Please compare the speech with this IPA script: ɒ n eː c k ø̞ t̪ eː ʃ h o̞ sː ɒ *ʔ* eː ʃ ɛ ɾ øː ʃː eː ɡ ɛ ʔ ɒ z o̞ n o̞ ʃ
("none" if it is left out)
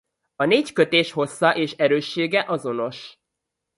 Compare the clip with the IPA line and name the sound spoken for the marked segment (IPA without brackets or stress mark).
ʔ